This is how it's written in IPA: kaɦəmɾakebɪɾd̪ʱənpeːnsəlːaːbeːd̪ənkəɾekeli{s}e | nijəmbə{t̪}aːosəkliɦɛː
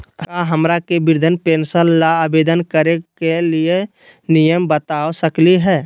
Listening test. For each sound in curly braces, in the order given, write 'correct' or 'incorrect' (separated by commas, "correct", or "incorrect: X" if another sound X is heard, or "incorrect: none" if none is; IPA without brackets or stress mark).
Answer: incorrect: none, correct